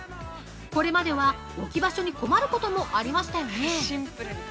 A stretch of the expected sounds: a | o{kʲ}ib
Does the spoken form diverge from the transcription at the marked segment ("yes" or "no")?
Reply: no